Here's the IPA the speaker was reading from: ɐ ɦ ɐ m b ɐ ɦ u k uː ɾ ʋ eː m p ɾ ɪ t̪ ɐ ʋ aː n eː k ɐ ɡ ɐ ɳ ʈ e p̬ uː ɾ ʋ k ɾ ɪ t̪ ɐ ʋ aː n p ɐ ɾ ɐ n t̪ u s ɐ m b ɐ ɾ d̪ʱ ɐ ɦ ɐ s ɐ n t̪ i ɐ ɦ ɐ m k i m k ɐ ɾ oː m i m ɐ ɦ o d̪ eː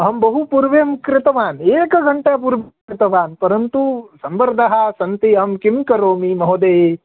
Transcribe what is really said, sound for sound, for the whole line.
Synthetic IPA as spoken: ɐ ɦ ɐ m b ɐ ɦ u p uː ɾ ʋ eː m k ɾ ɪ t̪ ɐ ʋ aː n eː k ɐ ɡ ɐ ɳ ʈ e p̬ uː ɾ ʋ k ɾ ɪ t̪ ɐ ʋ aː n p ɐ ɾ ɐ n t̪ u s ɐ m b ɐ ɾ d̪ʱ ɐ ɦ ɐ s ɐ n t̪ i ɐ ɦ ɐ m k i m k ɐ ɾ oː m i m ɐ ɦ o d̪ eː